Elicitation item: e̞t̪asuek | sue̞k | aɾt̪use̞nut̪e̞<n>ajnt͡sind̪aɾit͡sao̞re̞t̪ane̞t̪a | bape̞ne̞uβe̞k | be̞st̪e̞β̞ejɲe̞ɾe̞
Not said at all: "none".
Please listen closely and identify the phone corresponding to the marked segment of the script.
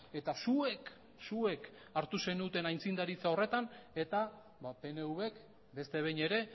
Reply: n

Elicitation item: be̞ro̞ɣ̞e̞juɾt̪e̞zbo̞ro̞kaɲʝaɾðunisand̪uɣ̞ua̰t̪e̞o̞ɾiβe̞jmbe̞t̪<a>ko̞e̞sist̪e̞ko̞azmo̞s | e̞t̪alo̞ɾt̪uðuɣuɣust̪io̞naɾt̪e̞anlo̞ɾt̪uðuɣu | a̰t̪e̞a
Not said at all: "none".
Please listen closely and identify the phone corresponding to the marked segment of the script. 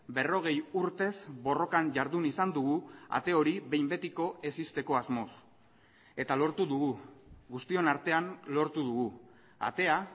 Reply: i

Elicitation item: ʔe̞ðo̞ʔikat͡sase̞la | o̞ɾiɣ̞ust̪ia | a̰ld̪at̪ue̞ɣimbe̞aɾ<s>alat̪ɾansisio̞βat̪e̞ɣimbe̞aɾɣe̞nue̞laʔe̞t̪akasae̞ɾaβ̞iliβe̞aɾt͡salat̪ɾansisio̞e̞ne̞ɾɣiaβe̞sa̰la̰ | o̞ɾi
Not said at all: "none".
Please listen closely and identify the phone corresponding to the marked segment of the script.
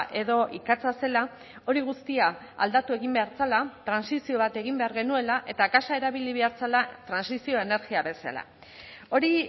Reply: t͡s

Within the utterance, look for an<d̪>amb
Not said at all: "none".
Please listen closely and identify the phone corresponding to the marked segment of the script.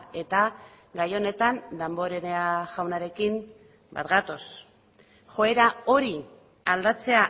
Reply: d̪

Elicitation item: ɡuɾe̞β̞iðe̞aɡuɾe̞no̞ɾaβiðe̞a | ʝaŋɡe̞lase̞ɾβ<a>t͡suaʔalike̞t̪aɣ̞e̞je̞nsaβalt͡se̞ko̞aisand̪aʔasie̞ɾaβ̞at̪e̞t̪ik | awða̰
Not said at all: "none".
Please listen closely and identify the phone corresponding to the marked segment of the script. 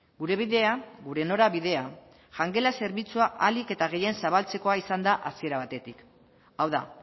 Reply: i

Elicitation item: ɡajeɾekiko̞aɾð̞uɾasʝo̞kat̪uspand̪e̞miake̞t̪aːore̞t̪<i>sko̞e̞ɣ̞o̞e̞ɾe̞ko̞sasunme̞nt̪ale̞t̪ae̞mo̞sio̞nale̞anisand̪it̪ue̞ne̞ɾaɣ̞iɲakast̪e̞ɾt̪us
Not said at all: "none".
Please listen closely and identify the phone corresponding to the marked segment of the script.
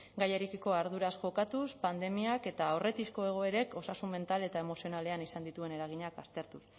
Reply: i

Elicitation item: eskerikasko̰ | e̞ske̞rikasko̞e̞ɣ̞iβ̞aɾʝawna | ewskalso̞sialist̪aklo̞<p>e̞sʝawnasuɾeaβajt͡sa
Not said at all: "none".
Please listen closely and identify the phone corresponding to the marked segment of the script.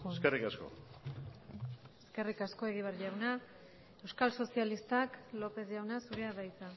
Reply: p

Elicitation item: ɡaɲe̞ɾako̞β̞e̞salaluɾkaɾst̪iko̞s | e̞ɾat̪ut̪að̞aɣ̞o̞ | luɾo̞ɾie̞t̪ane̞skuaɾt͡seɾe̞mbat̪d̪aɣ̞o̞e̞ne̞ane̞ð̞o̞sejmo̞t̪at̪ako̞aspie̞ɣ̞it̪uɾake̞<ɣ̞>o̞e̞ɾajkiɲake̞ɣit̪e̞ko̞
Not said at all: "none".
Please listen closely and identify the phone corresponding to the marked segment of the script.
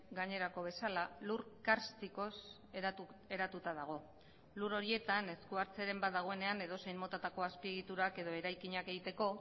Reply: ð̞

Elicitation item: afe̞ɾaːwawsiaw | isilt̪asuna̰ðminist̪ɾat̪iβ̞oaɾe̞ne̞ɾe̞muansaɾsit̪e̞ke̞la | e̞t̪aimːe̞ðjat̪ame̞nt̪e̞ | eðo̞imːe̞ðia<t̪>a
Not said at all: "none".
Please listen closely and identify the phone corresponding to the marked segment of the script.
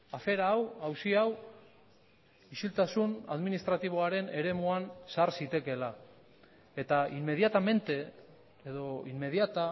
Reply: t̪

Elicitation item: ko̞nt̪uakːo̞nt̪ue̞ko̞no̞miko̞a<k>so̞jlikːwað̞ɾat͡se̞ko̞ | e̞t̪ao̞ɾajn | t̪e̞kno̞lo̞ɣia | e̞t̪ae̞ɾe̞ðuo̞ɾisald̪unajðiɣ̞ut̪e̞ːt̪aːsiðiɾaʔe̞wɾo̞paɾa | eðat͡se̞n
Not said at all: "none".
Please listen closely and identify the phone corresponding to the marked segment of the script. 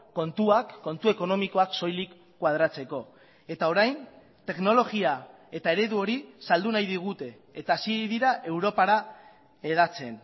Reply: k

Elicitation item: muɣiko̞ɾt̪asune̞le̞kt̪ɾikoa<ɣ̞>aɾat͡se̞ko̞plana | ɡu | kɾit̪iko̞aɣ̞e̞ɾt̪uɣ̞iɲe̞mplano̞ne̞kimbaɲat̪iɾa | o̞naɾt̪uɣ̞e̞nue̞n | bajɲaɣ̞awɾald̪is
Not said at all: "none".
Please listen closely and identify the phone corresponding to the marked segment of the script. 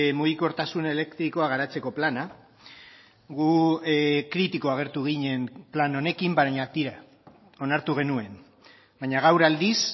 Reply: ɣ̞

